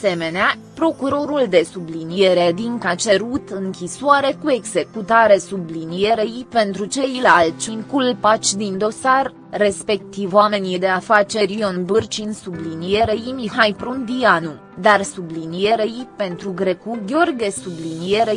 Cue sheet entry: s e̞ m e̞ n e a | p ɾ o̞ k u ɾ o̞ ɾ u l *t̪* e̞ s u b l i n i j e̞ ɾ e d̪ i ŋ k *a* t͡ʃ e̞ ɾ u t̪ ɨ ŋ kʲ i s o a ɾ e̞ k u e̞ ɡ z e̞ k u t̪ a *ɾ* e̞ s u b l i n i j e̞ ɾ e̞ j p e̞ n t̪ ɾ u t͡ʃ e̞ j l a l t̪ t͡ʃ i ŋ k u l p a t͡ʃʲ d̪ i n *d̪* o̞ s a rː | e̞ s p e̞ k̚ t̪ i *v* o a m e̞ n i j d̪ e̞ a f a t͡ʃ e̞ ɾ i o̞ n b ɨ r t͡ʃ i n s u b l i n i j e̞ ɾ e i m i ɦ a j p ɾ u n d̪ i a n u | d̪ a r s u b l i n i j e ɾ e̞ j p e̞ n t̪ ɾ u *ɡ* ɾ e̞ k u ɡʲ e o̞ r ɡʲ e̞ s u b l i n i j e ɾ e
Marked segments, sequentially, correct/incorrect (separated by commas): incorrect, correct, correct, correct, correct, correct